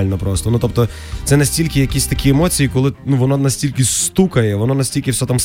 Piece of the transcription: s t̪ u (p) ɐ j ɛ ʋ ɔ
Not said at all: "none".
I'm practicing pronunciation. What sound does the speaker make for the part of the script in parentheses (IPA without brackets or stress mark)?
k